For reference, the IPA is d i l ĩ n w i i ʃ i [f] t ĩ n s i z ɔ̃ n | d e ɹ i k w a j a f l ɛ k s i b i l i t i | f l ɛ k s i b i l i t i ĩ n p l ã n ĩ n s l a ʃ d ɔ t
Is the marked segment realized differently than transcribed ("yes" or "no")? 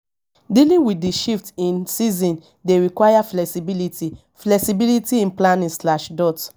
no